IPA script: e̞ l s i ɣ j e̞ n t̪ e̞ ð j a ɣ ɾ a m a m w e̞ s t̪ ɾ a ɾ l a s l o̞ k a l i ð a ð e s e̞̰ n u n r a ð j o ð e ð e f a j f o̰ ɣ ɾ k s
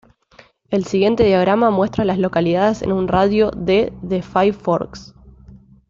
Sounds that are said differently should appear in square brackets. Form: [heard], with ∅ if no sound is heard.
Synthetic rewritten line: e̞ l s i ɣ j e̞ n t̪ e̞ ð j a ɣ ɾ a m a m w e̞ s t̪ ɾ a [∅] l a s l o̞ k a l i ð a ð e s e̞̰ n u n r a ð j o ð e ð e f a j f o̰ [∅] ɾ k s